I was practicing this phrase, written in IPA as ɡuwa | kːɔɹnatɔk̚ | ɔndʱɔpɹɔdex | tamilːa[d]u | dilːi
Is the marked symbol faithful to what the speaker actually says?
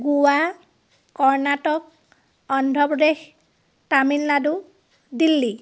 yes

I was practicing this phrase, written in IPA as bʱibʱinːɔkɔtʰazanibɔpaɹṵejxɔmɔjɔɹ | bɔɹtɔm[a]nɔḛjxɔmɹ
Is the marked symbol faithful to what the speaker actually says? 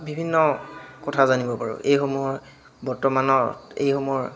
yes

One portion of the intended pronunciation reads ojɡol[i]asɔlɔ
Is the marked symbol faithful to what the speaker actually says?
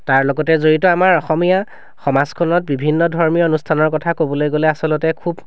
no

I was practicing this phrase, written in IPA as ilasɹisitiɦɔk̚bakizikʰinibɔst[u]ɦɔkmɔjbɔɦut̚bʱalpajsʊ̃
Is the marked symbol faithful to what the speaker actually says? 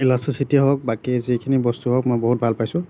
yes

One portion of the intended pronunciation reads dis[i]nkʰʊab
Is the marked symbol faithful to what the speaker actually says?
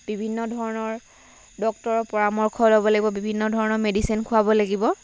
yes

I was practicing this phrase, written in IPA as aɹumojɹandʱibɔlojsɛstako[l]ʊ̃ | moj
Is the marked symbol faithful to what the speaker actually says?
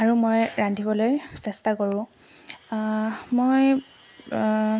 no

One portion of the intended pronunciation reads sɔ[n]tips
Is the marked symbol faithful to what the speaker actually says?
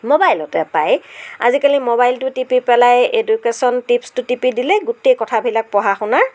yes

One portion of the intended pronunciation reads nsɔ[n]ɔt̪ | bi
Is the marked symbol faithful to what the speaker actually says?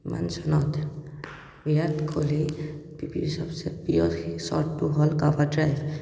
yes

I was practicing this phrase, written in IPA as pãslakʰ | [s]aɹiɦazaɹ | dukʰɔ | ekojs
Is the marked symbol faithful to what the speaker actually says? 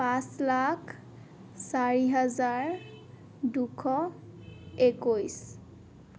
yes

